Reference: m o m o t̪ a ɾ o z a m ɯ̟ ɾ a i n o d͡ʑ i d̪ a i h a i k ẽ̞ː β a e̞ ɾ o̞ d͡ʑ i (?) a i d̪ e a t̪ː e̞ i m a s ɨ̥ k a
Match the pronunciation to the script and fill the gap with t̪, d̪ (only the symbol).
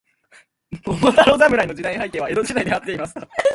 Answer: d̪